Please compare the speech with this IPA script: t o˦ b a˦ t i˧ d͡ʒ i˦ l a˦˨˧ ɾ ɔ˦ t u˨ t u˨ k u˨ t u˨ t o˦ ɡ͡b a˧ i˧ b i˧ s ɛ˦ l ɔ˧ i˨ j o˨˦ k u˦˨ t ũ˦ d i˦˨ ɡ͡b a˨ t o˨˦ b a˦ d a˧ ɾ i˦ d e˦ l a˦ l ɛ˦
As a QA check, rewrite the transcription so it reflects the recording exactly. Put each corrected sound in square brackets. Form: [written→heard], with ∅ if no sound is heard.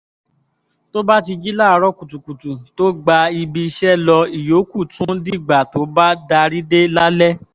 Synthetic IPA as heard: t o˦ b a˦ t i˧ d͡ʒ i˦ l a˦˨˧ ɾ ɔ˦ [t→k] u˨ t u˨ k u˨ t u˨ t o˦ ɡ͡b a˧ i˧ b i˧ [s→ʃ] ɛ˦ l ɔ˧ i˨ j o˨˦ k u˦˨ t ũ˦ d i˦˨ ɡ͡b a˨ t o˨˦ b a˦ d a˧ ɾ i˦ d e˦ l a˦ l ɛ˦